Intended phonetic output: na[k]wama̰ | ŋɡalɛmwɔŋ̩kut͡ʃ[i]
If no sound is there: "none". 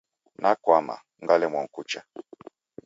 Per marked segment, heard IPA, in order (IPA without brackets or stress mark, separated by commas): k, a